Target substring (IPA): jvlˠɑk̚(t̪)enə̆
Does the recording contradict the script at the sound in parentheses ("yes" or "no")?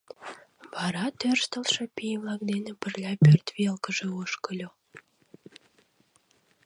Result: yes